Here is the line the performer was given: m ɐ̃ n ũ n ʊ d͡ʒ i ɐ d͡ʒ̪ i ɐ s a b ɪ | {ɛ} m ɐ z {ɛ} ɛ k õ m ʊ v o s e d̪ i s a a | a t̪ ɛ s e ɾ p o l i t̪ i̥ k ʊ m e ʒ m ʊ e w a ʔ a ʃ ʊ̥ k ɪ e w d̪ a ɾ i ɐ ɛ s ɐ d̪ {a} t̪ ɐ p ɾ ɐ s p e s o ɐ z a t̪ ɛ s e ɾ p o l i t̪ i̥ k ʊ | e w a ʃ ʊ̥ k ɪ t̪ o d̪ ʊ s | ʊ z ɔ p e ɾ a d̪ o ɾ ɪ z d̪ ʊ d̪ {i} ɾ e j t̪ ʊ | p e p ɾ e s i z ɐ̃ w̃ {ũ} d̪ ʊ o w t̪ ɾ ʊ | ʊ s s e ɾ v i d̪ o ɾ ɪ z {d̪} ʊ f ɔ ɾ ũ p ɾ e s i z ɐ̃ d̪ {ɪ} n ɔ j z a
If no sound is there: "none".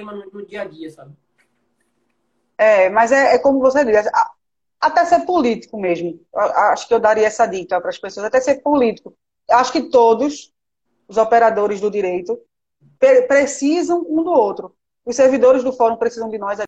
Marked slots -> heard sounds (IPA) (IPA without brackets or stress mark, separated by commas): ɛ, ɛ, i, i, ũ, d̪, ɪ